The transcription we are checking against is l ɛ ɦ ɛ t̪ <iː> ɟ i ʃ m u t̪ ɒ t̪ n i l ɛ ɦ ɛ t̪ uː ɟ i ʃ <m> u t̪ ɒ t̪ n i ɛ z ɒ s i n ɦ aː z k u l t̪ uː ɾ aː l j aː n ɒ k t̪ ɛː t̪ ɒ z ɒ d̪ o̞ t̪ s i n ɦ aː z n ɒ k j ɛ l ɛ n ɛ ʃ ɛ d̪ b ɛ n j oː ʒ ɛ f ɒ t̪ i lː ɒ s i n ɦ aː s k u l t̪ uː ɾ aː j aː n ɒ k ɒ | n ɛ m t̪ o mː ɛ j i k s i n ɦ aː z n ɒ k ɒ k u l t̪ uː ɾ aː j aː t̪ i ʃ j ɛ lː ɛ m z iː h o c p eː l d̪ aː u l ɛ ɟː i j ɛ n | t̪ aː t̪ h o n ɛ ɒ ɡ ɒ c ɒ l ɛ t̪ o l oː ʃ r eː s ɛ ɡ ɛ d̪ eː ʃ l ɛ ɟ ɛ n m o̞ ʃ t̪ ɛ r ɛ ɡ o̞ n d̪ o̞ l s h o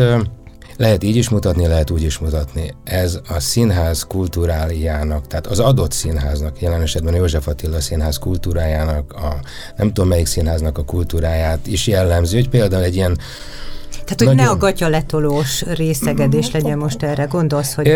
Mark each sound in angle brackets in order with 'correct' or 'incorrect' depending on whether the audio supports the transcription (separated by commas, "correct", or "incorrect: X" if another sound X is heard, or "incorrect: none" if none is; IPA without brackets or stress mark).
correct, correct